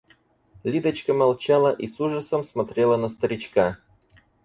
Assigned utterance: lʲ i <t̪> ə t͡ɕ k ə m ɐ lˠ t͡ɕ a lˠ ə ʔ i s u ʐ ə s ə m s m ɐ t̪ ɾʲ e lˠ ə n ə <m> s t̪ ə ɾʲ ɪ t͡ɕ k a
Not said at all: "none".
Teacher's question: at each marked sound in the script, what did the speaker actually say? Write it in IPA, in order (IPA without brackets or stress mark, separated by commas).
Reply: d̪, none